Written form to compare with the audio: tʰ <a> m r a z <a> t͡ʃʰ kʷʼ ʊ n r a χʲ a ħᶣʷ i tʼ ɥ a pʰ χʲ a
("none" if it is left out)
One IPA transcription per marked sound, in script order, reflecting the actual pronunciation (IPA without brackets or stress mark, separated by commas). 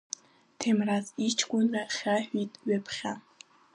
e, i